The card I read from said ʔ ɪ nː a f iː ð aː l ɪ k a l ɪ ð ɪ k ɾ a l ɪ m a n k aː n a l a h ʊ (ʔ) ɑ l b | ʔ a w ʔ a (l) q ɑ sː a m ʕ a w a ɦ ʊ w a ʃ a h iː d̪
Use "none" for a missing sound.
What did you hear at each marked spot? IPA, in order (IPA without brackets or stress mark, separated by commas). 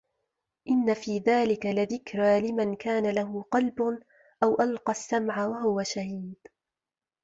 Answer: q, l